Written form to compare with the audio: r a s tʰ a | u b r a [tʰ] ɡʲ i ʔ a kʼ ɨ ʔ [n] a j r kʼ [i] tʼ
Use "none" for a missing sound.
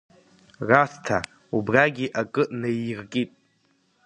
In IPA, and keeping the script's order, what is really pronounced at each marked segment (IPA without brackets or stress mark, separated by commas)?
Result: none, n, i